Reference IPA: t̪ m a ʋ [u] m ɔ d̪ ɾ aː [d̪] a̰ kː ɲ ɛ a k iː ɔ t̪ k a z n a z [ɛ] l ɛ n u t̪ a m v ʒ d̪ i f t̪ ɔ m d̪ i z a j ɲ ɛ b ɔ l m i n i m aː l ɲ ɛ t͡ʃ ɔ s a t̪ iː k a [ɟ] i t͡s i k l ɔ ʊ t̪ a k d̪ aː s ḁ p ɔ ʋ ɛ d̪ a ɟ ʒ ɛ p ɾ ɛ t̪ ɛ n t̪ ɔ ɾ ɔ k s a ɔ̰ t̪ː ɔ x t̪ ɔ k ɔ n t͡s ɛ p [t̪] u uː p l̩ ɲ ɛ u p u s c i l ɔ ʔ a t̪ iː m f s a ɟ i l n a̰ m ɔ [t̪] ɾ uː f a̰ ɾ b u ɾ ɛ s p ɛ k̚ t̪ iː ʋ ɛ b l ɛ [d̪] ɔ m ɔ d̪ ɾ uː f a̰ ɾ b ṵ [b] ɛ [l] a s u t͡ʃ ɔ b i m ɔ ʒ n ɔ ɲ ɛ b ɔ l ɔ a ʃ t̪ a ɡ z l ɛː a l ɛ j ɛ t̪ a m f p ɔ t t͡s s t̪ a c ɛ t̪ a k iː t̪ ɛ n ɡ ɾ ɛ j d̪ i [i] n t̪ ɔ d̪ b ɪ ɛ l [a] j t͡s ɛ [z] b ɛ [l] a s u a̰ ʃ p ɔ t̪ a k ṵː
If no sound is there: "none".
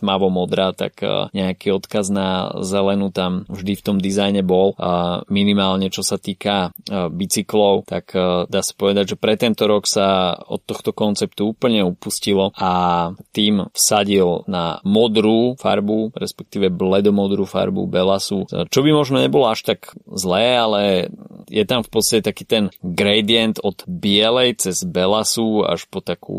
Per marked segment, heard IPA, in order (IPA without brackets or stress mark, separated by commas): ɔ, t̪, ɛ, b, t̪, d̪, d̪, b, l, ɛ, ɛ, z, l